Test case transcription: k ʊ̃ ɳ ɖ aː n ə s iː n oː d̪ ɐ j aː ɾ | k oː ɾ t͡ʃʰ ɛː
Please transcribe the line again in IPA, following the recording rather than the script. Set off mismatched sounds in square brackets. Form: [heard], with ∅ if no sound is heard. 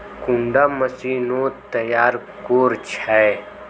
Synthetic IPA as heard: k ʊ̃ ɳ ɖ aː [m] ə s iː n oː [t̪] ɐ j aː ɾ | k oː ɾ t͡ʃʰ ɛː